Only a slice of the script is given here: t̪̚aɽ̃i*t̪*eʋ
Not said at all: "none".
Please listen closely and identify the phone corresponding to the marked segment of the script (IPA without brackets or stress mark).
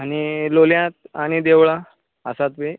d̪